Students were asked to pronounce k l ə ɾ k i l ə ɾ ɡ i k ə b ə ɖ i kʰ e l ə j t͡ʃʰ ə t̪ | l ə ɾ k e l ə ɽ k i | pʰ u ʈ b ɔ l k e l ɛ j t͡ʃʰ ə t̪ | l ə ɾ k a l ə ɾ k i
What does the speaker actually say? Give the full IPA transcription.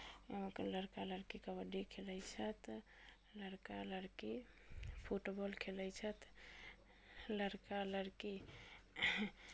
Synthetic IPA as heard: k l ə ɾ k a l ə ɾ k i k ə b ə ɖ i kʰ e l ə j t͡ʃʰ ə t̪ | l ə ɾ k a l ə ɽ k i | pʰ u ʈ b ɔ l kʰ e l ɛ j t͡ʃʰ ə t̪ | l ə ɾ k a l ə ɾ k i